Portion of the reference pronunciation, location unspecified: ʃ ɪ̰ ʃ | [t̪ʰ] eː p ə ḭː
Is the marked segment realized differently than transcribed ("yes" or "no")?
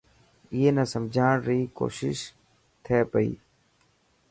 no